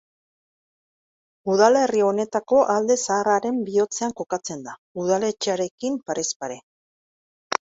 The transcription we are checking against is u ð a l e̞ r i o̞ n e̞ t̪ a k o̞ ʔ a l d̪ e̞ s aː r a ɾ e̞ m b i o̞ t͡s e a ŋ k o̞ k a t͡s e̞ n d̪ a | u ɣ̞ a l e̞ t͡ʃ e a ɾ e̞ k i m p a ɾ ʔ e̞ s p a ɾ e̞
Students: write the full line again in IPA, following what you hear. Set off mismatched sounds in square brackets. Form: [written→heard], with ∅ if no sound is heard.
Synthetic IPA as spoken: u ð a l e̞ r i o̞ n e̞ t̪ a k o̞ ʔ a l d̪ e̞ s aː r a ɾ e̞ m b i o̞ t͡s e a ŋ k o̞ k a t͡s e̞ n d̪ a | u [ɣ̞→ð̞] a l e̞ t͡ʃ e a ɾ e̞ k i m p a ɾ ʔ e̞ s p a ɾ e̞